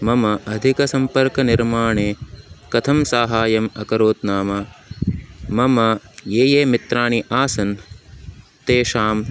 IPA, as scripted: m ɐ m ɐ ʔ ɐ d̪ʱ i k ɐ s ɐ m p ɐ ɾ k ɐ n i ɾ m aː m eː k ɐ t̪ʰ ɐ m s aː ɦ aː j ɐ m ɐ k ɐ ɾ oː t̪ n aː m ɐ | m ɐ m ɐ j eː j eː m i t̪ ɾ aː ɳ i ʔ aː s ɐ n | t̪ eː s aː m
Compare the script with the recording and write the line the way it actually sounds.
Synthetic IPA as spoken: m ɐ m ɐ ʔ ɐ d̪ʱ i k ɐ s ɐ m p ɐ ɾ k ɐ n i ɾ m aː ɳ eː k ɐ t̪ʰ ɐ m s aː ɦ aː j ɐ m ɐ k ɐ ɾ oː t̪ n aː m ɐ | m ɐ m ɐ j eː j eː m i t̪ ɾ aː ɳ i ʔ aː s ɐ n | t̪ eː ʃ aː m

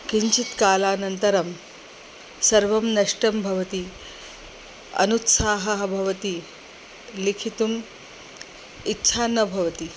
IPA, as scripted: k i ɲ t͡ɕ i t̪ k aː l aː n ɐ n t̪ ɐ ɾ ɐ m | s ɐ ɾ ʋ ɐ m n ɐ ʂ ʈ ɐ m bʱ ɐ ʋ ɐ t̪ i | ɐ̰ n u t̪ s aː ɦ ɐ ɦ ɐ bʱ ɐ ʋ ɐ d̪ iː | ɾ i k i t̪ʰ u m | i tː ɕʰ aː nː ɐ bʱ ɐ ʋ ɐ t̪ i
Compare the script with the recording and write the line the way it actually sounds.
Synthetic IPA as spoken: k i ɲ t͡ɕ i t̪ k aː l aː n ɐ n t̪ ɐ ɾ ɐ m | s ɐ ɾ ʋ ɐ m n ɐ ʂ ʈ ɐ m bʱ ɐ ʋ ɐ t̪ i | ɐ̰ n u t̪ s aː ɦ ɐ ɦ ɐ bʱ ɐ ʋ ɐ t̪ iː | l i kʰ i t̪ u m | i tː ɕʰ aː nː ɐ bʱ ɐ ʋ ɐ t̪ i

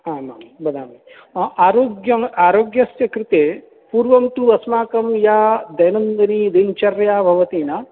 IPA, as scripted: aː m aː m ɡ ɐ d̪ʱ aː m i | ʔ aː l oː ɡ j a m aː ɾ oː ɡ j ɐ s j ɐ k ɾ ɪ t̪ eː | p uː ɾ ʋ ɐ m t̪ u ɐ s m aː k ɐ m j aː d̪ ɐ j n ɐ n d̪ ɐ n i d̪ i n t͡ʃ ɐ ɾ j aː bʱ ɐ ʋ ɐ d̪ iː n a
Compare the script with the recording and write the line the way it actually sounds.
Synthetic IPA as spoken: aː m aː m b ɐ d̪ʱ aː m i | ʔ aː ɾ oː ɡ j ɐ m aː ɾ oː ɡ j ɐ s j ɐ k ɾ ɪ t̪ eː | p uː ɾ ʋ ɐ m t̪ u ɐ s m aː k ɐ m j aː d̪ ɐ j n ɐ n d̪ ɐ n i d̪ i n t͡ʃ ɐ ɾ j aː bʱ ɐ ʋ ɐ t̪ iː n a

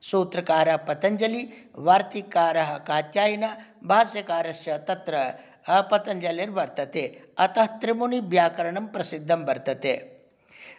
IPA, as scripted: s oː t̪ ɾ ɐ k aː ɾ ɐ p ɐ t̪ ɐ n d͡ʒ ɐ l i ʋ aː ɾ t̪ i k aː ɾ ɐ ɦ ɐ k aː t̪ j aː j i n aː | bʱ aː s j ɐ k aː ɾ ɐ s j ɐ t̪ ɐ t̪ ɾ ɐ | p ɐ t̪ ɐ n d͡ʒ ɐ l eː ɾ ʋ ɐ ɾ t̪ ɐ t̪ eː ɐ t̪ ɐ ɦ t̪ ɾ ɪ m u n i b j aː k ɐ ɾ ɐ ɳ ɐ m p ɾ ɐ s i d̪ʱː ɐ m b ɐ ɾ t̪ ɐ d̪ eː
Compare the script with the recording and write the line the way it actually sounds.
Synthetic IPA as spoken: s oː t̪ ɾ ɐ k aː ɾ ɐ p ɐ t̪ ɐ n d͡ʒ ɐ l i ʋ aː ɾ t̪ i k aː ɾ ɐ ɦ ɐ k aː t̪ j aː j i n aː | bʱ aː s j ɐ k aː ɾ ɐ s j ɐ t̪ ɐ t̪ ɾ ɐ | p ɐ t̪ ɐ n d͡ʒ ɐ l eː ɾ ʋ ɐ ɾ t̪ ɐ t̪ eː ɐ t̪ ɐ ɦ t̪ ɾ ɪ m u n i b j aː k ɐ ɾ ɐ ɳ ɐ m p ɾ ɐ s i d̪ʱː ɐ m b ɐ ɾ t̪ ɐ t̪ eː

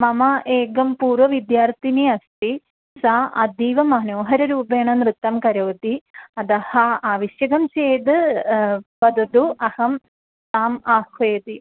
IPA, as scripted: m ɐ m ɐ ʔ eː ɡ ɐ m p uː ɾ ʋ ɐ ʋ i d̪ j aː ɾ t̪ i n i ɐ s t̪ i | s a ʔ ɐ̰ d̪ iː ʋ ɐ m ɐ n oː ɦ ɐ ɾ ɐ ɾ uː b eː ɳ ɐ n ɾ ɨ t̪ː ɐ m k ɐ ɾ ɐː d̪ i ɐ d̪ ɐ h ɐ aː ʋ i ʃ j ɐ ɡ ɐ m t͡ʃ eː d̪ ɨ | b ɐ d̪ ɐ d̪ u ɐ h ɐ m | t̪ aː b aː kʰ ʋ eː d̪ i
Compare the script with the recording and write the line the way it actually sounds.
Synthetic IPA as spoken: m ɐ m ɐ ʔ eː ɡ ɐ m p uː ɾ ʋ ɐ ʋ i d̪ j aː ɾ t̪ i n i ɐ s t̪ i | s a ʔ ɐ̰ d̪ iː ʋ ɐ m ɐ n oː ɦ ɐ ɾ ɐ ɾ uː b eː ɳ ɐ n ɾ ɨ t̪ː ɐ m k ɐ ɾ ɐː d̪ i ɐ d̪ ɐ h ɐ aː ʋ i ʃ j ɐ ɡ ɐ m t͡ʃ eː d̪ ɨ | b ɐ d̪ ɐ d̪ u ɐ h ɐ m | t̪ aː m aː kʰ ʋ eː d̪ i

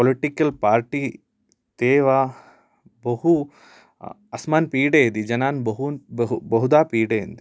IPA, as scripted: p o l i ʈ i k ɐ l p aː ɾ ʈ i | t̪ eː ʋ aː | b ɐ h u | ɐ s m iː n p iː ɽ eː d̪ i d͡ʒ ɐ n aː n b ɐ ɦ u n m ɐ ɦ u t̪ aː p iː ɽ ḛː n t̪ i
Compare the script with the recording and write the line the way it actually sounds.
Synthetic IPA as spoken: p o l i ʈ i k ɐ l p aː ɾ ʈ i | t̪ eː ʋ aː | b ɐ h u | ɐ s m aː n p iː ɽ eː d̪ i d͡ʒ ɐ n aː n b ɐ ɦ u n b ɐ ɦ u d̪ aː p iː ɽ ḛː n d̪ i

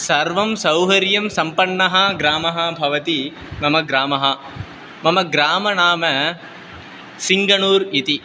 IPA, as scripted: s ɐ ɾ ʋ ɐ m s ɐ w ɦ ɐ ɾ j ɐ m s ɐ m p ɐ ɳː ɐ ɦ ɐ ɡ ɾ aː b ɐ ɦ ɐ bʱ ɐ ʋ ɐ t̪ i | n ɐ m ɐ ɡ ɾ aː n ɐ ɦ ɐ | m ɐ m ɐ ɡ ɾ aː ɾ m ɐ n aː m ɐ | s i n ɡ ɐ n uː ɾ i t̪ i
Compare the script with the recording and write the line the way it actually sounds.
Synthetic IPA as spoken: s ɐ ɾ ʋ ɐ m s ɐ w ɦ ɐ ɾ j ɐ m s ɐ m p ɐ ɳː ɐ ɦ ɐ ɡ ɾ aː m ɐ ɦ ɐ bʱ ɐ ʋ ɐ t̪ i | m ɐ m ɐ ɡ ɾ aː m ɐ ɦ ɐ | m ɐ m ɐ ɡ ɾ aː m ɐ n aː m ɐ | s i ŋ ɡ ɐ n uː ɾ i t̪ i

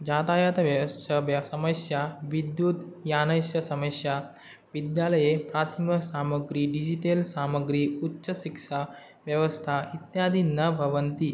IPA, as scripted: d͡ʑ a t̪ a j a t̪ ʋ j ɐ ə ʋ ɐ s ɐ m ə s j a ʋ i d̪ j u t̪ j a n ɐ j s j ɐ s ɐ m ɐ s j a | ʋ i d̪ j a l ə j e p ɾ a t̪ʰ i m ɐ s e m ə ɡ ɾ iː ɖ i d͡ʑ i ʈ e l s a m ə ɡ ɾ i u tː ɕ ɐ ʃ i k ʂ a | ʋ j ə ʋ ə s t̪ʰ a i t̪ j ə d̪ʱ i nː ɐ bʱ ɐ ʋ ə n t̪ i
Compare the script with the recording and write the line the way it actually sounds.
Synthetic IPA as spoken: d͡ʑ a t̪ a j a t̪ ʋ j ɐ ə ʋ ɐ s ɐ m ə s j a ʋ i d̪ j u t̪ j a n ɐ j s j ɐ s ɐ m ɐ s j a | ʋ i d̪ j a l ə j e p ɾ a t̪ʰ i m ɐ s a m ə ɡ ɾ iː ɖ i d͡ʑ i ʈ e l s a m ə ɡ ɾ i u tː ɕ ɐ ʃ i k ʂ a | ʋ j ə ʋ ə s t̪ʰ a i t̪ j a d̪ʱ i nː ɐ bʱ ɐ ʋ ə n t̪ i

